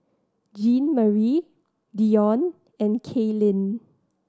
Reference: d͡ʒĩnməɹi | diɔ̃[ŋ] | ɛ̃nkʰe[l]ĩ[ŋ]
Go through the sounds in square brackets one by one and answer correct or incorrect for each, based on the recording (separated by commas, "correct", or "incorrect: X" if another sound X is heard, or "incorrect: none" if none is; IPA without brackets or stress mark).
incorrect: n, correct, incorrect: n